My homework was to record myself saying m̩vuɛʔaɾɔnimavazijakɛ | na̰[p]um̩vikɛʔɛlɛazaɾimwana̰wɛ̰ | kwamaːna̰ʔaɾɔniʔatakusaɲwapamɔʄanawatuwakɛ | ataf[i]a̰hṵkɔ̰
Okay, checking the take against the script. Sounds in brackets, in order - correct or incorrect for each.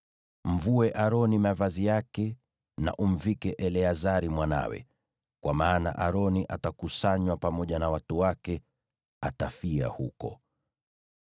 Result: incorrect: ʔ, correct

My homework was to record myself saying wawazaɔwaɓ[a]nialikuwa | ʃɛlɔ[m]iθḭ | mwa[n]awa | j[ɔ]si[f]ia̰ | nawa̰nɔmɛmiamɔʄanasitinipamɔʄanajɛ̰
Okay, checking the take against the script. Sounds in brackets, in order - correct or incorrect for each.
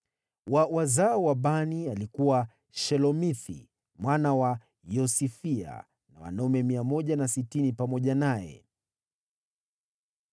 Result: correct, correct, correct, correct, correct

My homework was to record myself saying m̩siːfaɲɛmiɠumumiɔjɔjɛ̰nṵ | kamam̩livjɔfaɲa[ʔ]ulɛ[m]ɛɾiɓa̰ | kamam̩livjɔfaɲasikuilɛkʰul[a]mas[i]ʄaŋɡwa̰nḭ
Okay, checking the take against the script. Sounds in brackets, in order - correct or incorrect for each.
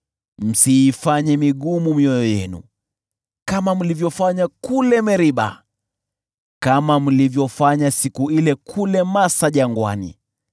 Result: incorrect: k, correct, incorrect: ɛ, incorrect: a

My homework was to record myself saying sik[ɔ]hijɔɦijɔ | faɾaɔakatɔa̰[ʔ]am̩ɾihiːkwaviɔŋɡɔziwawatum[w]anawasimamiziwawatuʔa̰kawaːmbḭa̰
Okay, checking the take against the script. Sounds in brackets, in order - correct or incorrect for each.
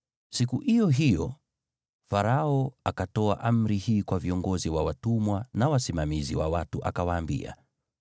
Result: incorrect: u, correct, correct

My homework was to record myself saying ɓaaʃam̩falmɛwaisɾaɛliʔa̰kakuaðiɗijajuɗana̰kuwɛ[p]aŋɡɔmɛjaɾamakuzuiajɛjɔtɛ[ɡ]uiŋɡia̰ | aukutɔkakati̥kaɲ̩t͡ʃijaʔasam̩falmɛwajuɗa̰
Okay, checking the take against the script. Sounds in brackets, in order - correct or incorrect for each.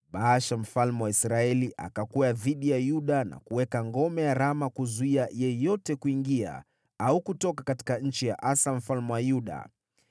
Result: incorrect: k, incorrect: k

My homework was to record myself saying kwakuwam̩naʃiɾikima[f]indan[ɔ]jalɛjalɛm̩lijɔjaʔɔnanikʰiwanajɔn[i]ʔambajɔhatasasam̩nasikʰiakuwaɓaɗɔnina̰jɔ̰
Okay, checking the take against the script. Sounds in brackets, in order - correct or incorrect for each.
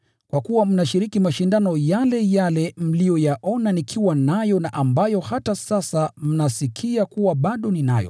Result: incorrect: ʃ, correct, incorrect: a

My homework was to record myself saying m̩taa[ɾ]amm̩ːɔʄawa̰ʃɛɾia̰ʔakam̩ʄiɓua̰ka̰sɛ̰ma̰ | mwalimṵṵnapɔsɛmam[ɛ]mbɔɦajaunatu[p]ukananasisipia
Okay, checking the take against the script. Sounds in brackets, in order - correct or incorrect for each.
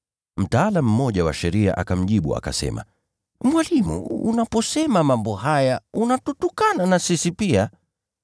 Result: incorrect: l, incorrect: a, incorrect: t

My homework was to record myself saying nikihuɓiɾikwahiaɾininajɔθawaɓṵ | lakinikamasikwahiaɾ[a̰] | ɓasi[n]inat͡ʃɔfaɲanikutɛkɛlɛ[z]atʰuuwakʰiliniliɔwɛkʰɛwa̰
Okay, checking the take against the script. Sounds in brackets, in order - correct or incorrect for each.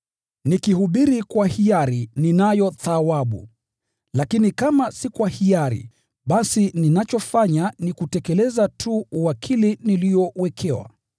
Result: incorrect: ḭ, correct, correct

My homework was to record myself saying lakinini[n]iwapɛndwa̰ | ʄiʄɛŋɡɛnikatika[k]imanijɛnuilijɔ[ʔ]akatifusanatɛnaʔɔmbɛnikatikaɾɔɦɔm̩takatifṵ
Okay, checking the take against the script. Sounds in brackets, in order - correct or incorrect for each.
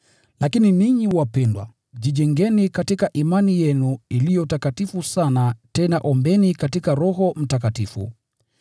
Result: incorrect: ɲ, incorrect: ʔ, incorrect: t

